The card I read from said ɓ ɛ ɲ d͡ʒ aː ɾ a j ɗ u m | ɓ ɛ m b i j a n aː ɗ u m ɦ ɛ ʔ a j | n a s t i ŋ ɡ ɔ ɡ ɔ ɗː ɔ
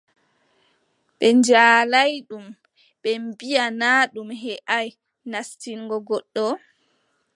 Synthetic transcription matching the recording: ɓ ɛ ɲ d͡ʒ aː l a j ɗ u m | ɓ ɛ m b i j a n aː ɗ u m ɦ ɛ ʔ a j | n a s t i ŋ ɡ ɔ ɡ ɔ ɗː ɔ